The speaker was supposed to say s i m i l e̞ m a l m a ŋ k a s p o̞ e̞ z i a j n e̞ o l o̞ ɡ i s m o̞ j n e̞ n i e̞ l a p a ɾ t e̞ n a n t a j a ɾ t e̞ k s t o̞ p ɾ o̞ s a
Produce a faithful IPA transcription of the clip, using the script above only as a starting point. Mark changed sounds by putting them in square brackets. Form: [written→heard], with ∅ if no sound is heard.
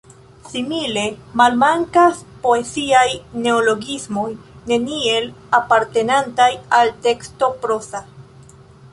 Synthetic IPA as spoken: s i m i l e̞ m a l m a ŋ k a s p o̞ e̞ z i a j n e̞ o l o̞ ɡ i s m o̞ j n e̞ n i e̞ l a p a ɾ t e̞ n a n t a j a [ɾ→l] t e̞ k s t o̞ p ɾ o̞ s a